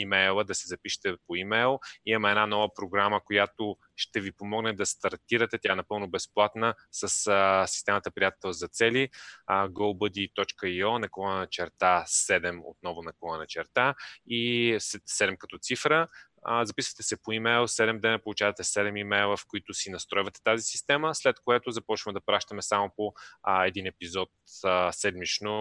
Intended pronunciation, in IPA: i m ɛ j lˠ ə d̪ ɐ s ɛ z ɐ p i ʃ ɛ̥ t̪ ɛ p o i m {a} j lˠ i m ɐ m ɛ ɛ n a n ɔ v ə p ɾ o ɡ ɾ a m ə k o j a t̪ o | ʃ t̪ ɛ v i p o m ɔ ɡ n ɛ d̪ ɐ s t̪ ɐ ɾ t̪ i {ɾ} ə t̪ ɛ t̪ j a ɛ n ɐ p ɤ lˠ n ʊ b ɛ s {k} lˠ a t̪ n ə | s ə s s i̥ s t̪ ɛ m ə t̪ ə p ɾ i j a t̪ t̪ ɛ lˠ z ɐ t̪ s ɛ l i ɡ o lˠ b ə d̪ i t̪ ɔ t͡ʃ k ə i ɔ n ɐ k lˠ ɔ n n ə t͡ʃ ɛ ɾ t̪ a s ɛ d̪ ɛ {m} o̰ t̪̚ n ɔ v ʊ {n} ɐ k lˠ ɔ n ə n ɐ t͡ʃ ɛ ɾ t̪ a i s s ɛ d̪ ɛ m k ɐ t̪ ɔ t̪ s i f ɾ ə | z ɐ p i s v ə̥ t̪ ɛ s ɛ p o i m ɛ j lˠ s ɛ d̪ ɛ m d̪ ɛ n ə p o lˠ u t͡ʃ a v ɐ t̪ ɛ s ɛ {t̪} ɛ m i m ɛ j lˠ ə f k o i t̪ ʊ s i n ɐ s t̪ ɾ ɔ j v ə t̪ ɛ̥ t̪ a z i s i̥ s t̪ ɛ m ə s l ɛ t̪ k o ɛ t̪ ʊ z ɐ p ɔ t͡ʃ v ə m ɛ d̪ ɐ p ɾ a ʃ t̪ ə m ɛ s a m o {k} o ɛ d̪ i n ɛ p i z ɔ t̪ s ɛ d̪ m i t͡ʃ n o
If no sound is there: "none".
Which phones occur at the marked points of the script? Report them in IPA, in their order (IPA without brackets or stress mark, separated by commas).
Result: ɛ, ɾ, p, m, n, d̪, p